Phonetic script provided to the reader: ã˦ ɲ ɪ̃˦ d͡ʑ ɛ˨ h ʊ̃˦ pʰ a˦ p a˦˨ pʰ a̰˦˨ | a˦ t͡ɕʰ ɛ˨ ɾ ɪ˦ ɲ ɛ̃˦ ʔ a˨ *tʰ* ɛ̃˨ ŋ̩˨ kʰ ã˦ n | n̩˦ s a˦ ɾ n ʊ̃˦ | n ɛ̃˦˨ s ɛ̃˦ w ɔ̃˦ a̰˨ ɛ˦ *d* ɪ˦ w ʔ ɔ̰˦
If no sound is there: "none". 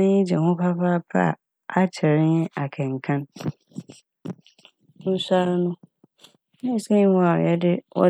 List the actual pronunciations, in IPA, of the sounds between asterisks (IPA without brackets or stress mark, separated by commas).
kʰ, d